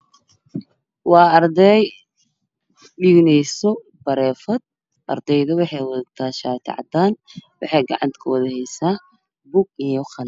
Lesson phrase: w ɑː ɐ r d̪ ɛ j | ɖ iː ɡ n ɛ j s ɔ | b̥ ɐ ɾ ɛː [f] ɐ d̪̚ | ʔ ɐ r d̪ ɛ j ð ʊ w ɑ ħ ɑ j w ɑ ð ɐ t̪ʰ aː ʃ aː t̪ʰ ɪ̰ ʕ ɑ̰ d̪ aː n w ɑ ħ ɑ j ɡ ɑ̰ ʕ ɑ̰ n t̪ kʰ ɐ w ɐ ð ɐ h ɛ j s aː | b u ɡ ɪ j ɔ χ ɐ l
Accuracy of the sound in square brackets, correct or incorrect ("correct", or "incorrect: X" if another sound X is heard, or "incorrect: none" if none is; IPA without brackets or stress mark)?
correct